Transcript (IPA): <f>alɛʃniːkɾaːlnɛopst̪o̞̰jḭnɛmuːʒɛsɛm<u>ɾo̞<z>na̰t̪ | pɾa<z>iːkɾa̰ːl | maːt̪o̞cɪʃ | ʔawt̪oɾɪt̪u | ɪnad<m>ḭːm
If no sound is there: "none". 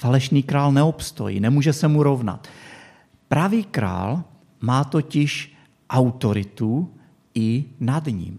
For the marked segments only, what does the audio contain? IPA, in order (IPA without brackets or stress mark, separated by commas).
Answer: f, u, v, v, ɲ